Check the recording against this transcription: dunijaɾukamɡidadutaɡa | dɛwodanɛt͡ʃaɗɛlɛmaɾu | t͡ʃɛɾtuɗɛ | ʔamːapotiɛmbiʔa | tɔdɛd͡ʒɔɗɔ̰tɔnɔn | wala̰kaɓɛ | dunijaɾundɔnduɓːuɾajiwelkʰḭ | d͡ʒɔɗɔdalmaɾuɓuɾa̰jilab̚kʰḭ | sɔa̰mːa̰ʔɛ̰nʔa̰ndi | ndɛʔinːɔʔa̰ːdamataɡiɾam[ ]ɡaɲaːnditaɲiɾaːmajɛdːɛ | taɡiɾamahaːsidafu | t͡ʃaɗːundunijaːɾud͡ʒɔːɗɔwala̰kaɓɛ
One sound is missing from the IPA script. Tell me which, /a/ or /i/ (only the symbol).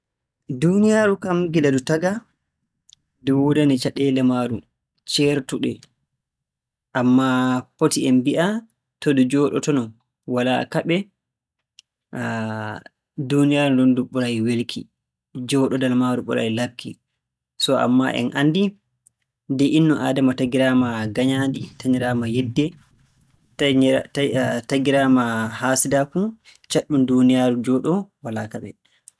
a